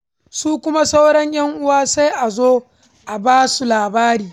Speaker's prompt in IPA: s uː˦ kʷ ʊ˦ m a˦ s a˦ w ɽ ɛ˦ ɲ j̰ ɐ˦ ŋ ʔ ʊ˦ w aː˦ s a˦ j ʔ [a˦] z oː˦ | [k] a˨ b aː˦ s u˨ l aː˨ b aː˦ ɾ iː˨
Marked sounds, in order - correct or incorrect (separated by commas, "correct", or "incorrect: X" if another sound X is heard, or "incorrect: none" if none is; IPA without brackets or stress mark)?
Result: incorrect: a˨, incorrect: ʔ